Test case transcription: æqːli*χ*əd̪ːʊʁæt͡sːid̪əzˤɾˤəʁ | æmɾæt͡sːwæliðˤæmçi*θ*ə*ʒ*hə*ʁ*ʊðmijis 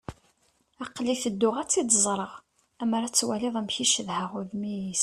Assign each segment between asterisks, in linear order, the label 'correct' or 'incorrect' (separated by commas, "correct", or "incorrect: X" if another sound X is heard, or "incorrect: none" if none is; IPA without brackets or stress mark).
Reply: incorrect: θ, incorrect: ʃ, incorrect: ð, correct